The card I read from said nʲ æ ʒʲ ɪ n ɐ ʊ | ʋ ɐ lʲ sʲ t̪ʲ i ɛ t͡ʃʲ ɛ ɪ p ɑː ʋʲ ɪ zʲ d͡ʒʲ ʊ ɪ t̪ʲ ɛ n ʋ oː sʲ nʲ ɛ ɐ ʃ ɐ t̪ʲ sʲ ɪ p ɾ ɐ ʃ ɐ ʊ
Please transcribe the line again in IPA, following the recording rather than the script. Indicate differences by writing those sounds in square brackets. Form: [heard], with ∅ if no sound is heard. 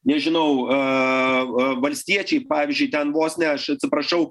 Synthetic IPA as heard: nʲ [ɛ] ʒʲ ɪ n ɐ ʊ | ʋ ɐ lʲ sʲ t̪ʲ i ɛ t͡ʃʲ ɛ ɪ p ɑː ʋʲ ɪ zʲ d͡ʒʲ ʊ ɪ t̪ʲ ɛ n ʋ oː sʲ nʲ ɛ ɐ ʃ ɐ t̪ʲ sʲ ɪ p ɾ ɐ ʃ ɐ ʊ